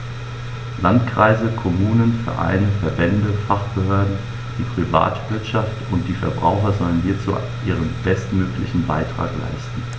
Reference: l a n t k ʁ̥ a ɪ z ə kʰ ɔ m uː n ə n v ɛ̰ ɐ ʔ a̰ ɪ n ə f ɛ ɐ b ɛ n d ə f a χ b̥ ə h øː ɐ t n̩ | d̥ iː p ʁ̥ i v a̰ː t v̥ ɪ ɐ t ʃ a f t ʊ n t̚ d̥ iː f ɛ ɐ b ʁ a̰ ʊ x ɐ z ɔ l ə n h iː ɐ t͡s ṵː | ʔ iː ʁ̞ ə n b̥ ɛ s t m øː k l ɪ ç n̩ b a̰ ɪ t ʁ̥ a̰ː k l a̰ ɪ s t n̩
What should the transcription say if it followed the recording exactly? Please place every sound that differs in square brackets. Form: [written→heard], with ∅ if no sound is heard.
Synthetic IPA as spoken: l a n t k ʁ̥ a ɪ z ə kʰ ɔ m uː n ə n [v→f] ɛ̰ ɐ ʔ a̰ ɪ n ə f ɛ ɐ b ɛ n d ə f a χ b̥ ə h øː ɐ [t→d] n̩ | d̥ iː p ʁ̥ i v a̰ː t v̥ ɪ ɐ t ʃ a f t ʊ n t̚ d̥ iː f ɛ ɐ b ʁ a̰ ʊ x ɐ z ɔ l ə n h iː ɐ t͡s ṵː | ʔ iː ʁ̞ ə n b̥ ɛ s t m øː k l ɪ ç n̩ b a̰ ɪ t ʁ̥ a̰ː k l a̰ ɪ s t n̩

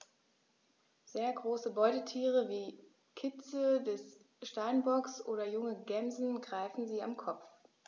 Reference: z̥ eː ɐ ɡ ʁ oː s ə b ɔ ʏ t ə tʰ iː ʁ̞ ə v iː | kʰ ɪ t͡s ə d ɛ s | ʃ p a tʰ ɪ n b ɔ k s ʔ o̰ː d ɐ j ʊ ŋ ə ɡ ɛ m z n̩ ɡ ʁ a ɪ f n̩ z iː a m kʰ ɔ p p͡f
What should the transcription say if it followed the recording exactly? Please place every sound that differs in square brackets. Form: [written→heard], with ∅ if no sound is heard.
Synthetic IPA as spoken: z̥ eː ɐ ɡ ʁ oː s ə b ɔ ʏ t ə tʰ iː ʁ̞ ə v iː | kʰ ɪ t͡s ə d ɛ s | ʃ [p→t] a [tʰ→∅] ɪ n b ɔ k s ʔ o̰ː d ɐ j ʊ ŋ ə ɡ ɛ m z n̩ ɡ ʁ a ɪ f n̩ z iː a m kʰ ɔ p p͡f

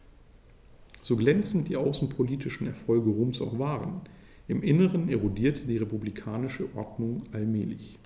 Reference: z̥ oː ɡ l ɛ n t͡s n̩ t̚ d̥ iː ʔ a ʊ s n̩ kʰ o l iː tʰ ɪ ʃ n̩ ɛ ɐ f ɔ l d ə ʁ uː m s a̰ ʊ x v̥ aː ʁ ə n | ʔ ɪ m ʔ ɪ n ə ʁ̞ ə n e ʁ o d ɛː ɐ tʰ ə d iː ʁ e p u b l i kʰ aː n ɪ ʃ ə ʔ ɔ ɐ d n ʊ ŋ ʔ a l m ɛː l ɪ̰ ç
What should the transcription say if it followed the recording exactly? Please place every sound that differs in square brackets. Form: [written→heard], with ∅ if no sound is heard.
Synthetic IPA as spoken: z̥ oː ɡ l ɛ n t͡s n̩ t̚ d̥ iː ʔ a ʊ s n̩ [kʰ→pʰ] o l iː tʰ ɪ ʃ n̩ ɛ ɐ f ɔ l [d→ɡ] ə ʁ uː m s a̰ ʊ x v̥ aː ʁ ə n | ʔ ɪ m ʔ ɪ n ə ʁ̞ ə n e ʁ o d [ɛː→iː] ɐ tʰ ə d iː ʁ e p u b l i kʰ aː n ɪ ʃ ə ʔ ɔ ɐ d n ʊ ŋ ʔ a l m ɛː l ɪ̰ ç

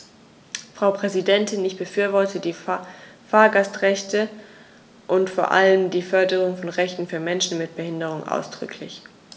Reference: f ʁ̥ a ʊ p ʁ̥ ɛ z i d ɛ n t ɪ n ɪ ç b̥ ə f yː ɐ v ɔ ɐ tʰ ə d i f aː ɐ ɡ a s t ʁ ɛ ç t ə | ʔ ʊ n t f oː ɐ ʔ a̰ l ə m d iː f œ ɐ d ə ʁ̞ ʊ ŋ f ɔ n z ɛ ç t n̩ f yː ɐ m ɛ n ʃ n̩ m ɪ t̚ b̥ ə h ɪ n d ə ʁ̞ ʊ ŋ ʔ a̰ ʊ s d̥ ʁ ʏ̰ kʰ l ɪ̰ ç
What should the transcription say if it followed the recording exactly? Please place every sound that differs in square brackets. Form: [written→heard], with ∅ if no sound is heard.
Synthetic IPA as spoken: f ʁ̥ a ʊ p ʁ̥ ɛ z i d ɛ n t ɪ n ɪ ç b̥ ə f yː ɐ v ɔ ɐ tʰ ə d [i→iː] f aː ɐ ɡ a s t ʁ ɛ ç t ə | ʔ ʊ n t f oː ɐ ʔ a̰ l ə m d iː f œ ɐ d ə ʁ̞ ʊ ŋ f ɔ n [z→ʁ] ɛ ç t n̩ f yː ɐ m ɛ n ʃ n̩ m ɪ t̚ b̥ ə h ɪ n d ə ʁ̞ ʊ ŋ ʔ a̰ ʊ s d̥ ʁ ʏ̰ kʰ l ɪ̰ ç

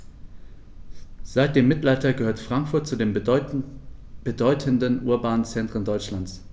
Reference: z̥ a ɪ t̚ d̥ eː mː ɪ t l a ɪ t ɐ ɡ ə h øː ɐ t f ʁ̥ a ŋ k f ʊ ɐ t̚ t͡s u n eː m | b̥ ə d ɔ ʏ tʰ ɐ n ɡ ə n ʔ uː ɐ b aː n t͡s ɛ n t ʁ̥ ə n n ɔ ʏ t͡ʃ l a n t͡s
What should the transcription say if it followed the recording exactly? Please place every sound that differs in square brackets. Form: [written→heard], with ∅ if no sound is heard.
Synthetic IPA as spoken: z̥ a ɪ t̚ d̥ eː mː ɪ t l a ɪ t ɐ ɡ ə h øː ɐ t f ʁ̥ a ŋ k f ʊ ɐ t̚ t͡s u [n→d] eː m | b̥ ə d ɔ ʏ tʰ [ɐ→ə] n [ɡ→d] ə n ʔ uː ɐ b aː n t͡s ɛ n t ʁ̥ ə n [n→d] ɔ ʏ t͡ʃ l a n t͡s

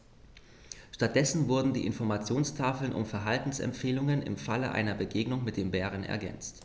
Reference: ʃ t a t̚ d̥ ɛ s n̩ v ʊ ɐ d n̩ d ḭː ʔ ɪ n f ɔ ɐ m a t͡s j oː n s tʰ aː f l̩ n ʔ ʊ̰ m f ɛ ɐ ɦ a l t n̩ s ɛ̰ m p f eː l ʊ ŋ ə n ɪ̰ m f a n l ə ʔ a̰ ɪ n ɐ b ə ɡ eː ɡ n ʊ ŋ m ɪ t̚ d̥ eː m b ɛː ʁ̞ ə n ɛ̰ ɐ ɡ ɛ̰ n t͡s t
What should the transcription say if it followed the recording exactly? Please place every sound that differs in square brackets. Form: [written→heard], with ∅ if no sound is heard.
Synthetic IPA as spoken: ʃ t a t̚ d̥ ɛ s n̩ v ʊ ɐ d n̩ d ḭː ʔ ɪ n f ɔ ɐ m a t͡s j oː n s tʰ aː f l̩ n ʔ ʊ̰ m f ɛ ɐ ɦ a l t n̩ s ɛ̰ m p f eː l ʊ ŋ ə n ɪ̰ m f a [n→∅] l ə ʔ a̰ ɪ n ɐ b ə ɡ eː ɡ n ʊ ŋ m ɪ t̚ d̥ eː m b ɛː ʁ̞ ə n ɛ̰ ɐ ɡ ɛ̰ n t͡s t

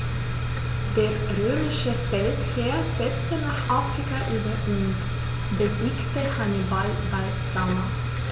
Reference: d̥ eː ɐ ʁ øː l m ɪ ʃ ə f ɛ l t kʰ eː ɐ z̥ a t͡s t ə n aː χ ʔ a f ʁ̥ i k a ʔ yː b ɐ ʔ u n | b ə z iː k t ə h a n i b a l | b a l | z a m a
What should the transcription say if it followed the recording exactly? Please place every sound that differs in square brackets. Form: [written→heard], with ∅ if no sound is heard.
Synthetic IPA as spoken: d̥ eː ɐ ʁ øː [l→∅] m ɪ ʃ ə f ɛ l t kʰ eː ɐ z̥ [a→ɛ] t͡s t ə n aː χ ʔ a f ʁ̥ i k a ʔ yː b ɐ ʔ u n | b ə z iː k t ə h a n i b a l | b a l | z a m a

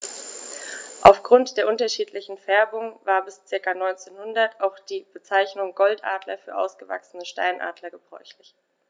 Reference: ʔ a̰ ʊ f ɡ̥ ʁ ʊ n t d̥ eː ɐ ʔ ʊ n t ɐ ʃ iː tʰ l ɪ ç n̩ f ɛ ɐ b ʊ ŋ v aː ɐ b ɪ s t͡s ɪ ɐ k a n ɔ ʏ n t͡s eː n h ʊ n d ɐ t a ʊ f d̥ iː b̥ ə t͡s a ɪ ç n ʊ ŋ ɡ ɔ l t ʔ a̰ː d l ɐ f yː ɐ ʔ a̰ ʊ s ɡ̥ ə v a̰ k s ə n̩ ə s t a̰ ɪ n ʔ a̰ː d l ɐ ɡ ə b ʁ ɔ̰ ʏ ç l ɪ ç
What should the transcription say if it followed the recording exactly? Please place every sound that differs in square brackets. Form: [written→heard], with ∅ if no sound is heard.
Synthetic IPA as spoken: ʔ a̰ ʊ f ɡ̥ ʁ ʊ n t d̥ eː ɐ ʔ ʊ n t ɐ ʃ iː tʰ l ɪ ç n̩ f ɛ ɐ b ʊ ŋ v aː ɐ b ɪ s t͡s ɪ ɐ k a n ɔ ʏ n t͡s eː n h ʊ n d ɐ t a ʊ [f→x] d̥ iː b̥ ə t͡s a ɪ ç n ʊ ŋ ɡ ɔ l t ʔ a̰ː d l ɐ f yː ɐ ʔ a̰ ʊ s ɡ̥ ə v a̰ k s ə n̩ ə [s→ʃ] t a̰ ɪ n ʔ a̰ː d l ɐ ɡ ə b ʁ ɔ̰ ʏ ç l ɪ ç

